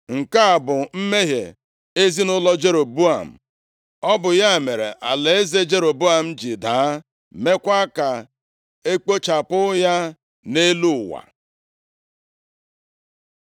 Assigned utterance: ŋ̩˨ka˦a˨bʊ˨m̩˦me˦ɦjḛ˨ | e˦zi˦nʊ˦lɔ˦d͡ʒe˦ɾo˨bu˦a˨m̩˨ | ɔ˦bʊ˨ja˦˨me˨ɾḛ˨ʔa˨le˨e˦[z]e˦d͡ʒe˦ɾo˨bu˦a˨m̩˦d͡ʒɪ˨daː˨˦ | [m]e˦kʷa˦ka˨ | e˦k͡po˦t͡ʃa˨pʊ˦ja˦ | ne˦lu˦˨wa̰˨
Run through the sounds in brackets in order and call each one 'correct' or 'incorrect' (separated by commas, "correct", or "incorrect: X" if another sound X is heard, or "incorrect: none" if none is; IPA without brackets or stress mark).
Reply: correct, correct